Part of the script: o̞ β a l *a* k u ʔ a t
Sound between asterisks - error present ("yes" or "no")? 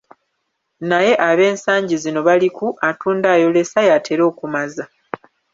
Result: yes